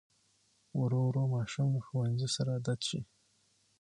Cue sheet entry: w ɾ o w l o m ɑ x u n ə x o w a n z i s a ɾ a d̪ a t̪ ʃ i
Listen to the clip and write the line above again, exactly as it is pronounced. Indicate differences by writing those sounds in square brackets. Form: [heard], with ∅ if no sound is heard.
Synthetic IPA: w ɾ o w [ɾ] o m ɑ [ʃ] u [m] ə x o w a n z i s a ɾ a d̪ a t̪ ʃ i